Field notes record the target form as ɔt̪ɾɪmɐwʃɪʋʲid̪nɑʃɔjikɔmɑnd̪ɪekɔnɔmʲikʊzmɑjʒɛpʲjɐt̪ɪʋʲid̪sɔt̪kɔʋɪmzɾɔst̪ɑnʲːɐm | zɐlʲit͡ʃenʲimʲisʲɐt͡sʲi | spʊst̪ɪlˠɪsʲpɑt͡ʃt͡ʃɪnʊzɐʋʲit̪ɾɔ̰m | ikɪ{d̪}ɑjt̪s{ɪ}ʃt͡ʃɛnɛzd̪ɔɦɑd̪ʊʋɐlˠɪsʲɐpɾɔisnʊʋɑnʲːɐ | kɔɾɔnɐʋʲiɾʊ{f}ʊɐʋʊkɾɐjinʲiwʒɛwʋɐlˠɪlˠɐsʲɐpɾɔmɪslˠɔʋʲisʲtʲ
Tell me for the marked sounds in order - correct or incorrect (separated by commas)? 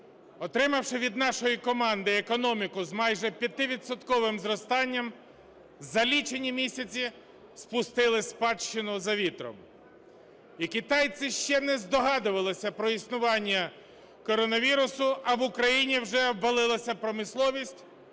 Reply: incorrect, correct, incorrect